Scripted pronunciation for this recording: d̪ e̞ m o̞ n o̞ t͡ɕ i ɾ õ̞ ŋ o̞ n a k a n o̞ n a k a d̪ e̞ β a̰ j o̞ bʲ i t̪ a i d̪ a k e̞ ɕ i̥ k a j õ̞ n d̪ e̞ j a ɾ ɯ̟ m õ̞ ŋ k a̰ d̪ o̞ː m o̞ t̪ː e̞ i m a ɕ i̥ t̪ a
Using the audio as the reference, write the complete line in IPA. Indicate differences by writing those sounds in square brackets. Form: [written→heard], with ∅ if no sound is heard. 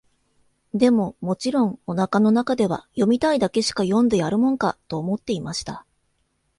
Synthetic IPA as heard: d̪ e̞ m o̞ [n→m] o̞ t͡ɕ i ɾ õ̞ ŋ o̞ n a k a n o̞ n a k a d̪ e̞ β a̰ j o̞ [bʲ→mʲ] i t̪ a i d̪ a k e̞ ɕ i̥ k a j õ̞ n d̪ e̞ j a ɾ ɯ̟ m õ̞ ŋ k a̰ [d̪→t̪] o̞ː m o̞ t̪ː e̞ i m a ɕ i̥ t̪ a